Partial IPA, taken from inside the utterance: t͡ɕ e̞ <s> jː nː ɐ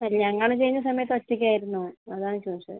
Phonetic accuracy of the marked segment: incorrect: none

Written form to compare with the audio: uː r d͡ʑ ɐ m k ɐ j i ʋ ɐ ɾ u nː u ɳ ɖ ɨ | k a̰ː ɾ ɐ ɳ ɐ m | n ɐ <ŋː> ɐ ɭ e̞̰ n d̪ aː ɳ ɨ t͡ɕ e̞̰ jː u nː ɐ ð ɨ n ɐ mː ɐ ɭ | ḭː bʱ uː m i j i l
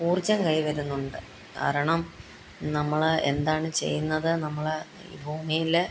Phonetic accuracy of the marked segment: incorrect: mː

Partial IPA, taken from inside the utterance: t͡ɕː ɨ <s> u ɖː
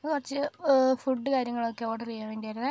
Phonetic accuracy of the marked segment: incorrect: f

